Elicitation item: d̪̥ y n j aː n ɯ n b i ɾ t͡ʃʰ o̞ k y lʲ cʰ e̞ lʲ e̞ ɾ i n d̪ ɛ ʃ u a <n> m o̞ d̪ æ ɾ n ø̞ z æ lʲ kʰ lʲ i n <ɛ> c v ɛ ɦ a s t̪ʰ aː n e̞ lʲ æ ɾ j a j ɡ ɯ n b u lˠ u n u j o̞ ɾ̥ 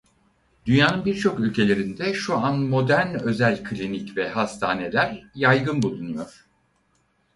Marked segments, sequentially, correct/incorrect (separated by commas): correct, incorrect